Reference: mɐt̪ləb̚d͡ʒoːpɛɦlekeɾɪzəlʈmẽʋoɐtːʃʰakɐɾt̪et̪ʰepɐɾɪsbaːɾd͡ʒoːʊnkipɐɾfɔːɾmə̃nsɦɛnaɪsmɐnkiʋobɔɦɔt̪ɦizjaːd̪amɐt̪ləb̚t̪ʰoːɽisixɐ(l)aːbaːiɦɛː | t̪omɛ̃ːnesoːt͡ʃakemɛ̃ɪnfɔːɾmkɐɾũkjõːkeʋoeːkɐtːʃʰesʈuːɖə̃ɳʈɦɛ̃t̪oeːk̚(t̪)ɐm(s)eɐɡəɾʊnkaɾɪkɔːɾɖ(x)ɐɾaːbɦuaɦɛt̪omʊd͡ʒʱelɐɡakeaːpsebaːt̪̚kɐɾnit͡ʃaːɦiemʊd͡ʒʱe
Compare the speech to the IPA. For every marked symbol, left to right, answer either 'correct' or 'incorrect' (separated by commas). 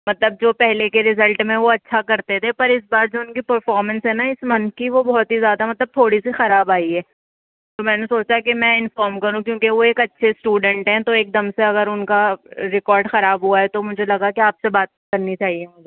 incorrect, incorrect, correct, correct